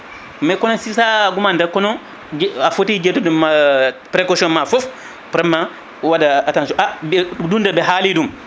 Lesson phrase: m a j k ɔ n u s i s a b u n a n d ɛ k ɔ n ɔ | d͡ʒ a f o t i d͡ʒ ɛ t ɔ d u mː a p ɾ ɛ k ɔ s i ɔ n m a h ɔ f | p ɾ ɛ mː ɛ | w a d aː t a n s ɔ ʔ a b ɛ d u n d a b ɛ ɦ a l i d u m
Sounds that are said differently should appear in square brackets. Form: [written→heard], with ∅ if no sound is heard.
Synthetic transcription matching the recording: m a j k ɔ n [u→ɔ] s i s a [b→ɡ] u [n→m] a n d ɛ k ɔ n ɔ | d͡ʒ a f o t i d͡ʒ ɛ t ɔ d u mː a p ɾ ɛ k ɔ s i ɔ n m a [h→f] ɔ f | p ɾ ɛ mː [ɛ→a] | w a d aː t a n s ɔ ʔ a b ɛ d u n d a b ɛ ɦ a l i d u m